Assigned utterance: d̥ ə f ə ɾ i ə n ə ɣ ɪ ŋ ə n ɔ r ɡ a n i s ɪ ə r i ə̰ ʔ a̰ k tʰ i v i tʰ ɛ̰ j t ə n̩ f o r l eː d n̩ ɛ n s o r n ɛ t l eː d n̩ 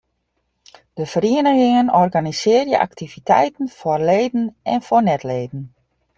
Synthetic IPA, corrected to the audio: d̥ ə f ə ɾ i ə n ə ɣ ɪ ŋ ə n ɔ r ɡ a n i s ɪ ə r j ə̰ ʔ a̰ k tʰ i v i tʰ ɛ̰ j t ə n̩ f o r l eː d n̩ ɛ n f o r n ɛ t l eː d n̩